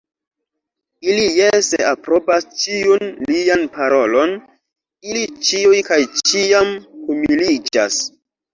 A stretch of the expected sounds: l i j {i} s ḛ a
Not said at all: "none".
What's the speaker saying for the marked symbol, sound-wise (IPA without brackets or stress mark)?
e